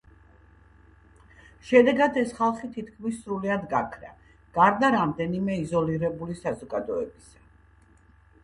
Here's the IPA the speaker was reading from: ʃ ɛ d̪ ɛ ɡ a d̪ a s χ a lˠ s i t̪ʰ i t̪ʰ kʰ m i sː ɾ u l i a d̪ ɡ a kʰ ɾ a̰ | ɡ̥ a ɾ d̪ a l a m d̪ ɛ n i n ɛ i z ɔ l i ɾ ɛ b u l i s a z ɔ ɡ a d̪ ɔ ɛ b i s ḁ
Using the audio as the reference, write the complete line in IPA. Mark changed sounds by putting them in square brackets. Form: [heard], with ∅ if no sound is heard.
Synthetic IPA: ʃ ɛ d̪ ɛ ɡ a d̪ [ɛ] s χ a lˠ [χ] i t̪ʰ i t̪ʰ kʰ m i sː ɾ u l i a d̪ ɡ a kʰ ɾ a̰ | ɡ̥ a ɾ d̪ a [ɾ] a m d̪ ɛ n i [m] ɛ i z ɔ l i ɾ ɛ b u l i s a z ɔ ɡ a d̪ ɔ ɛ b i s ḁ